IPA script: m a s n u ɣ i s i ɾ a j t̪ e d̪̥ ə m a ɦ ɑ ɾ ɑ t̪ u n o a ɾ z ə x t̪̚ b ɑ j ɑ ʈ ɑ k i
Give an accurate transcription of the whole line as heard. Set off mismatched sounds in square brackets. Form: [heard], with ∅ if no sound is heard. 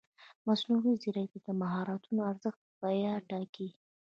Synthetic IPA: m a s n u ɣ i [z] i ɾ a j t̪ [a] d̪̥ ə m a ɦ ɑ ɾ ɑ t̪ u n o a ɾ z ə x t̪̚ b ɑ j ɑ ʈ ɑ k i